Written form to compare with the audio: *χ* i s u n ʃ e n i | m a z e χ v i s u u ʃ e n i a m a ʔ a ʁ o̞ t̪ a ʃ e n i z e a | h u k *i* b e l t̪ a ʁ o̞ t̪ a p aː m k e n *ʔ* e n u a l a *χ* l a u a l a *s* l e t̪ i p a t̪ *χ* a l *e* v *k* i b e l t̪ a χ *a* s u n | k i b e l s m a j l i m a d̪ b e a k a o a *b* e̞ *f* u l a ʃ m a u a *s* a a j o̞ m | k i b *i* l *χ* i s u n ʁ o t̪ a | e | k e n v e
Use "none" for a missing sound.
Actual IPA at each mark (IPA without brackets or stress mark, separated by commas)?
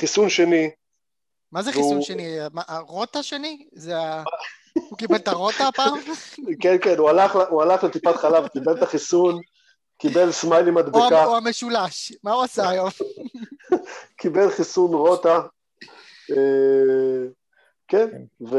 χ, i, k, χ, χ, χ, a, k, i, m, ʃ, s, e, χ